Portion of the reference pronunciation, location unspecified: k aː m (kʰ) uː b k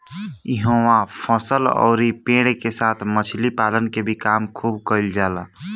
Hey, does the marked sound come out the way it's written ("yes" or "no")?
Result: yes